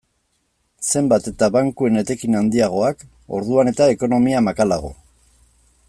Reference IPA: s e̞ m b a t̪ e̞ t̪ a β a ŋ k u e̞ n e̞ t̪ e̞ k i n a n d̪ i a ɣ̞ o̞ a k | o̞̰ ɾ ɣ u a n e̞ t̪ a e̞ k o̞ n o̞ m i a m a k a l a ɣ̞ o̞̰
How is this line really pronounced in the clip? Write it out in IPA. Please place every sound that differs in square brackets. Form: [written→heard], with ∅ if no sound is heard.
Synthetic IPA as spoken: s e̞ m b a t̪ e̞ t̪ a β a ŋ k u e̞ n e̞ t̪ e̞ k i n a n d̪ i a ɣ̞ o̞ a k | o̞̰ ɾ [ɣ→ð] u a n e̞ t̪ a e̞ k o̞ n o̞ m i a m a k a l a ɣ̞ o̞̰

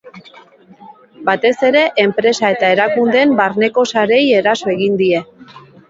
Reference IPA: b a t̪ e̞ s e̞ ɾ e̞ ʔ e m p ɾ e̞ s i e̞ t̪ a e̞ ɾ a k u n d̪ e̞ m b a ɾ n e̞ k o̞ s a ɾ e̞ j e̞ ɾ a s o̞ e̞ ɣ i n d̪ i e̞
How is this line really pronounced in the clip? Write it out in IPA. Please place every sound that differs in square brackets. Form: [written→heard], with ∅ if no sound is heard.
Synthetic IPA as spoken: b a t̪ e̞ s e̞ ɾ e̞ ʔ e m p ɾ e̞ s [i→a] e̞ t̪ a e̞ ɾ a k u n d̪ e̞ m b a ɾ n e̞ k o̞ s a ɾ e̞ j e̞ ɾ a s o̞ e̞ ɣ i n d̪ i e̞

